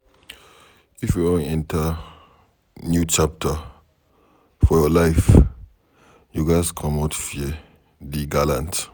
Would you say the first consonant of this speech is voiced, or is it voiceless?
voiceless